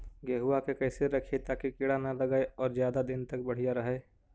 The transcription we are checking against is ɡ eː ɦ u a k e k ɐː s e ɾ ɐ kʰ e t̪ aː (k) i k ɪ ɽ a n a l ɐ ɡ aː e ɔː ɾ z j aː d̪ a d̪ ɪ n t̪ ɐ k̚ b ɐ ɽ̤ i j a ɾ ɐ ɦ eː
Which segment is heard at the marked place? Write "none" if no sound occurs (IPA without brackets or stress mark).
k